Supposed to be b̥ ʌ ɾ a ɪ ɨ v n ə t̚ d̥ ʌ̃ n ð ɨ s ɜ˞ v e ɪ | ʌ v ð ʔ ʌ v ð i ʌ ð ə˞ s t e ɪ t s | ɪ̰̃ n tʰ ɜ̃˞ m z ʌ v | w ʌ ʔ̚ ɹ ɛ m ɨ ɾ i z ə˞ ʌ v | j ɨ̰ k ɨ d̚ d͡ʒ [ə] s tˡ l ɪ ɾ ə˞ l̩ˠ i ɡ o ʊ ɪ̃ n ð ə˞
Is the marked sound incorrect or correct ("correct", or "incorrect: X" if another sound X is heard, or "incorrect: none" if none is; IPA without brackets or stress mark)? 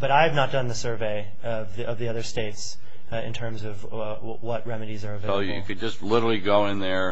incorrect: ʌ